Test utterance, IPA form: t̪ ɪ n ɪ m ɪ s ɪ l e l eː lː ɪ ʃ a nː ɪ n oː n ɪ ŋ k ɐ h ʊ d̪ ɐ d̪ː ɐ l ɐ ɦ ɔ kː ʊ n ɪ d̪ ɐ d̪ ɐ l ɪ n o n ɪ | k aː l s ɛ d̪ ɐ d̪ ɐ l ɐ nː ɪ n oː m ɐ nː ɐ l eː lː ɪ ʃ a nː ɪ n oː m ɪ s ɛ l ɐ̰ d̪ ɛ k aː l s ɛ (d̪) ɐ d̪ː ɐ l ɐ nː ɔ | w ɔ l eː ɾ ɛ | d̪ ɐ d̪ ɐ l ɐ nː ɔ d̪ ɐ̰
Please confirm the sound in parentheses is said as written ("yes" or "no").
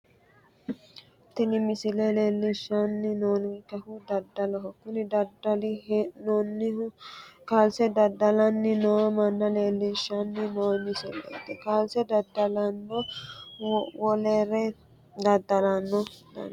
yes